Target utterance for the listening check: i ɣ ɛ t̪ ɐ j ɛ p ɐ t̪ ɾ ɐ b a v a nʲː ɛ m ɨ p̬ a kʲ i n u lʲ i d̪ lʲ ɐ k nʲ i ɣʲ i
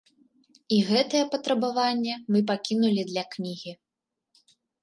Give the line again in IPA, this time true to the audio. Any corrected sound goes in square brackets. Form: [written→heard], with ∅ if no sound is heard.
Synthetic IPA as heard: i ɣ ɛ t̪ ɐ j ɛ p ɐ t̪ ɾ ɐ b a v a nʲː ɛ m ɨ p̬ a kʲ i n u lʲ i d̪ lʲ ɐ k nʲ i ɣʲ i